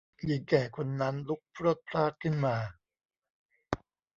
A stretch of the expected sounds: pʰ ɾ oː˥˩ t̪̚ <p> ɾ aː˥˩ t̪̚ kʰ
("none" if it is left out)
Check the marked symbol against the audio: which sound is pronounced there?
pʰ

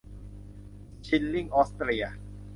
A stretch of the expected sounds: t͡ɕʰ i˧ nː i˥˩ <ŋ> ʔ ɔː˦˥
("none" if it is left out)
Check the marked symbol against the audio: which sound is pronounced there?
ŋ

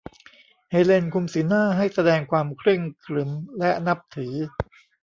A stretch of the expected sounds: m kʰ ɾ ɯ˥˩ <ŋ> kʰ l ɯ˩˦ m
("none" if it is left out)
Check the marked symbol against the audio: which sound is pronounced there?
ŋ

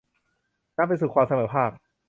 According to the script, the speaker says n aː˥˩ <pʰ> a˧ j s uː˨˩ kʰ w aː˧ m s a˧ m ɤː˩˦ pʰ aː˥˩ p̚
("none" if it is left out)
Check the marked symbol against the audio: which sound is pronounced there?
p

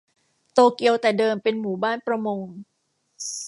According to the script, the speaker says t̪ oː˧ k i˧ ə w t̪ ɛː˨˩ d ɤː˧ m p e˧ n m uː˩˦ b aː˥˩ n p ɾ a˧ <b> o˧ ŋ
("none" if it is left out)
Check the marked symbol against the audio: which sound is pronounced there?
m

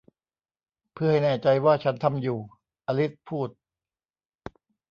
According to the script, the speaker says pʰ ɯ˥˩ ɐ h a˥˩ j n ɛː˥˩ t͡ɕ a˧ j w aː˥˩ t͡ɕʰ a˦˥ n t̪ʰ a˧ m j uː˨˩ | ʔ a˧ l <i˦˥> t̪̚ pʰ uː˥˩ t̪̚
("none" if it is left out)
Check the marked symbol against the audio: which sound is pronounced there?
i˦˥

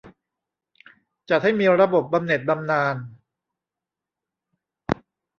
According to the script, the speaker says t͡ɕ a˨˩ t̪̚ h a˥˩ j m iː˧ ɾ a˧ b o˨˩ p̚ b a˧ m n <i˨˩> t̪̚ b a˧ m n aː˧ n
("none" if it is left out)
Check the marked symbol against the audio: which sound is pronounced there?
e˨˩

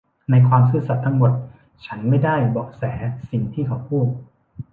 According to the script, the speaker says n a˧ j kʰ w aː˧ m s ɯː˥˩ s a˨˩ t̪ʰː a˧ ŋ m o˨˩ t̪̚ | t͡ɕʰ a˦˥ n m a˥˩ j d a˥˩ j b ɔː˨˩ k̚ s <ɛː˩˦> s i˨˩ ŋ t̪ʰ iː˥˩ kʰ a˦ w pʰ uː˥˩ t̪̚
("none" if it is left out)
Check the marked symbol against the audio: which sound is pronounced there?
ɛː˩˦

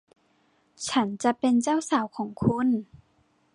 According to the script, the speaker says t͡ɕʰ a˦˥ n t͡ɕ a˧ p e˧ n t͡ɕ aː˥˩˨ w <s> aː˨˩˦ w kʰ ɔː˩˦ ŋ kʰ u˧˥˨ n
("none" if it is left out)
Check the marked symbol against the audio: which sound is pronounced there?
s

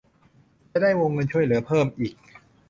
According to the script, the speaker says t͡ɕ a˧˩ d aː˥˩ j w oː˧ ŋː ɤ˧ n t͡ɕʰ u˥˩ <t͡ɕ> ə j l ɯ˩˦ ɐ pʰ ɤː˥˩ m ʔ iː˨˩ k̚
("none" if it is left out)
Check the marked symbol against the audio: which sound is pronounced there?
none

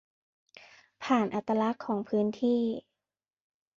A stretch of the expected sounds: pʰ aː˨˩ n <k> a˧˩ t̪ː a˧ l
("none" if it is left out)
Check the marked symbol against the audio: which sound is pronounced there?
ʔ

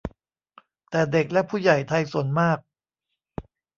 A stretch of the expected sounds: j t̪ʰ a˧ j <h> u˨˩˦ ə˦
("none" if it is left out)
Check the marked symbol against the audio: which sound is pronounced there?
s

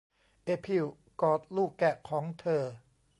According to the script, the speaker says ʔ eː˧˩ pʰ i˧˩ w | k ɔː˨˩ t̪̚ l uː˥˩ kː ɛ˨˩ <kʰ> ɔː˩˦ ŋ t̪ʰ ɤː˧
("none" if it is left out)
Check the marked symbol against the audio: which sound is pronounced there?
kʰ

